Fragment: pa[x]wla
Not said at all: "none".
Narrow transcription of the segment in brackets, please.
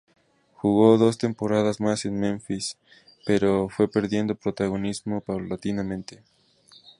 none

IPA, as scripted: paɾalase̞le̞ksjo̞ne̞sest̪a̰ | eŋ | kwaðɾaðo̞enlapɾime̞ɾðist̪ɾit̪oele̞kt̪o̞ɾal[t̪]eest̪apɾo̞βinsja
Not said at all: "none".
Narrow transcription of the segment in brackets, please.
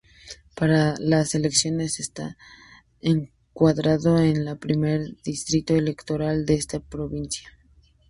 d̪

